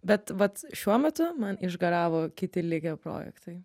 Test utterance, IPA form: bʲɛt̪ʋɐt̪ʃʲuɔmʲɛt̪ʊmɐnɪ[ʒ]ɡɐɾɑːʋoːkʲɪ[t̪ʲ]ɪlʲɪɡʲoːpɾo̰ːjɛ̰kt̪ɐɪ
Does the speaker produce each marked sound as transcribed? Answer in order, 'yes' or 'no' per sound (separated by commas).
yes, yes